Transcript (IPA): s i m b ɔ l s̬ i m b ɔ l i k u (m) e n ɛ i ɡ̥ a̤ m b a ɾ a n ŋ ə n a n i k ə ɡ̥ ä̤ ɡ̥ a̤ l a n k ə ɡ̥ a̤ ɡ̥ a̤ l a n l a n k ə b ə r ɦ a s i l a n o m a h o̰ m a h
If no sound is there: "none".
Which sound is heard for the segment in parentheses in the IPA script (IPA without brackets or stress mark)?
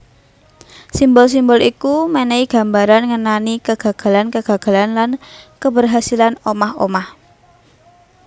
m